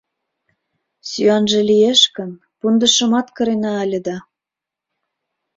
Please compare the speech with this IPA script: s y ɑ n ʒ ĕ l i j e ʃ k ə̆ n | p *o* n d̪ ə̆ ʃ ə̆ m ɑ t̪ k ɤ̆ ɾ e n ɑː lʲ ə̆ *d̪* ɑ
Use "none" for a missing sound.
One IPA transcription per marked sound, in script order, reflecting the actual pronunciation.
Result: u, d̪

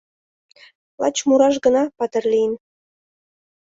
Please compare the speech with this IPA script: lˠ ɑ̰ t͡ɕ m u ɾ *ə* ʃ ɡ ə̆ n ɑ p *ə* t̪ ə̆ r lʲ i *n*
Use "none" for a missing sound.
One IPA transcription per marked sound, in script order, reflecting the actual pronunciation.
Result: ɑ, ɑ, n

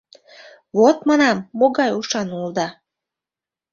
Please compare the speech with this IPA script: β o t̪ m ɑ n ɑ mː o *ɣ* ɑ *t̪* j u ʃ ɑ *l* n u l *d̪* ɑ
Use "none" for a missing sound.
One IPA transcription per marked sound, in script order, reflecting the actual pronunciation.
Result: ɣ, none, none, d̪

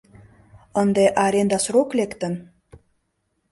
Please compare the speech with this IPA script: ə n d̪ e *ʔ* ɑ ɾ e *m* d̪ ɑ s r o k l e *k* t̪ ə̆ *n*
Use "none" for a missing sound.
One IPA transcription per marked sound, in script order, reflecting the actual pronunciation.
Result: ʔ, n, k, n

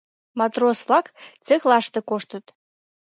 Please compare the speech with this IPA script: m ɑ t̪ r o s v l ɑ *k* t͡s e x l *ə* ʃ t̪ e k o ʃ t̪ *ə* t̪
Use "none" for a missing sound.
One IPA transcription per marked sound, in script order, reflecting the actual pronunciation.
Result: k, ɑ, ə

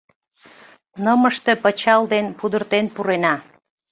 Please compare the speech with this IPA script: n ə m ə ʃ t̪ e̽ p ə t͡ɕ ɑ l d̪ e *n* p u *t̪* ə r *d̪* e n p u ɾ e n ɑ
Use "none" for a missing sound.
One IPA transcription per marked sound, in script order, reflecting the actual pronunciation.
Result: n, d̪, t̪

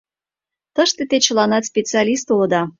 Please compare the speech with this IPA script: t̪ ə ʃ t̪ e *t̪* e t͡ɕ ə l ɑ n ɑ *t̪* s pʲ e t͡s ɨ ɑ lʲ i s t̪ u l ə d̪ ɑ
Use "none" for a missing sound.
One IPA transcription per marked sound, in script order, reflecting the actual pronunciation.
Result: t̪, t̪

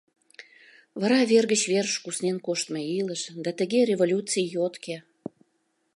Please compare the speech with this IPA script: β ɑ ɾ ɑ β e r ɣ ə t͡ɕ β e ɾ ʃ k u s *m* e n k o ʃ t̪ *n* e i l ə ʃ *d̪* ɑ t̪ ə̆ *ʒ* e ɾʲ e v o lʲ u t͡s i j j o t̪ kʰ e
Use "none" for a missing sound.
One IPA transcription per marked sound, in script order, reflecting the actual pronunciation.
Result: n, m, d̪, ɣ

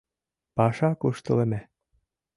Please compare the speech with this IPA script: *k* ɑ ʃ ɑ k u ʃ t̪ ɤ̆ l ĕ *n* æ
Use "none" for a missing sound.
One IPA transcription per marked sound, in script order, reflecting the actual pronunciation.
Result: p, m

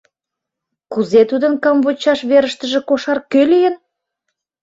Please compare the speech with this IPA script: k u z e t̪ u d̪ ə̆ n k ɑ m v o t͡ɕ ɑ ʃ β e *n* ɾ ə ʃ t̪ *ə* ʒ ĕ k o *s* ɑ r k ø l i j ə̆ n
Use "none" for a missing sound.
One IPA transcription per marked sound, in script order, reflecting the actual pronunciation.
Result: none, ə, ʃ

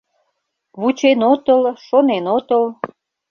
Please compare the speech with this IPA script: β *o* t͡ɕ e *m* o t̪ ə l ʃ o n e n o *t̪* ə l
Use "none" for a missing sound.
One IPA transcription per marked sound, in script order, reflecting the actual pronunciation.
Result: u, n, t̪

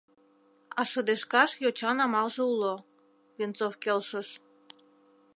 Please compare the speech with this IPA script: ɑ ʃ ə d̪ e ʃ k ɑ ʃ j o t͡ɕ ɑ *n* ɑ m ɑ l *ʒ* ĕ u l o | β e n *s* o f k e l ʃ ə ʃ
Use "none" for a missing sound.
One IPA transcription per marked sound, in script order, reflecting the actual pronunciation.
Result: n, ʒ, t͡s

